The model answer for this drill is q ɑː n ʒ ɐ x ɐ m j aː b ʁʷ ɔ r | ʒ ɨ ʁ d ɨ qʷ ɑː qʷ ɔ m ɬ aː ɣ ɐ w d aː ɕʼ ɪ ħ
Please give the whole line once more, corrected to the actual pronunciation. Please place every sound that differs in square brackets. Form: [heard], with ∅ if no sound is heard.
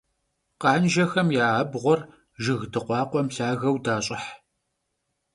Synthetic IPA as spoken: q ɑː n ʒ ɐ x ɐ m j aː b ʁʷ ɔ r | ʒ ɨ [ɣ] d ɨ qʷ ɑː qʷ ɔ m ɬ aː ɣ ɐ w d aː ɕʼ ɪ ħ